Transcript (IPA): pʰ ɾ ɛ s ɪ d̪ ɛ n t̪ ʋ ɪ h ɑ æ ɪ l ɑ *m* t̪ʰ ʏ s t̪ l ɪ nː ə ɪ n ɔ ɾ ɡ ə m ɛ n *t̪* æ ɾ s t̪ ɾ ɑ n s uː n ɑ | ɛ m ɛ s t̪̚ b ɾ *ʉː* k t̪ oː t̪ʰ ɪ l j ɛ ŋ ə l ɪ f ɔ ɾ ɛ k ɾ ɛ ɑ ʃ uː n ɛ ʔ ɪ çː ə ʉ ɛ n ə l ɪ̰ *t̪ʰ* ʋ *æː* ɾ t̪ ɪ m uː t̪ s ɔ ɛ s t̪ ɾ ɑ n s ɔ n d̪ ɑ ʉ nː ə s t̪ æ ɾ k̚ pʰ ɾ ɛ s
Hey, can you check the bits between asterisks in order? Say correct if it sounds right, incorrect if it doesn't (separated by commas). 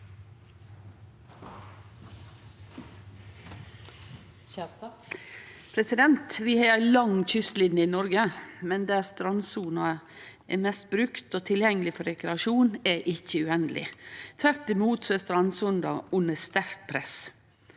incorrect, incorrect, incorrect, correct, incorrect